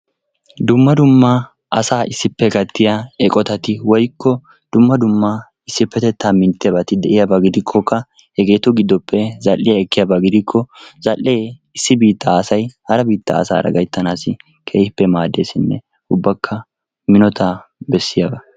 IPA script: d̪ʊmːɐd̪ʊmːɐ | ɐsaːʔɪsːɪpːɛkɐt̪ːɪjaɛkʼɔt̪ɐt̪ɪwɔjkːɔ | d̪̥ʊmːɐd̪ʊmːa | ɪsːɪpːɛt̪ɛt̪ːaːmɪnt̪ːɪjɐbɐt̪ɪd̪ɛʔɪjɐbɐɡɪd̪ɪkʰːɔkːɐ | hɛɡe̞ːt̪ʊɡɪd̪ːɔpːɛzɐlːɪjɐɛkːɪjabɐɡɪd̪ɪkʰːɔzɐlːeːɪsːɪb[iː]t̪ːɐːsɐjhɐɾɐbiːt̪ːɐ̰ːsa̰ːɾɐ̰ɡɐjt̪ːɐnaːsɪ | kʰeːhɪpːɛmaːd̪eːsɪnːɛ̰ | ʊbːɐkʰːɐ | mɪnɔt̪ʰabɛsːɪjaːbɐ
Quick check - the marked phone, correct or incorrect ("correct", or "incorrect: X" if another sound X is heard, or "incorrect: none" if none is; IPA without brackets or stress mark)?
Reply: correct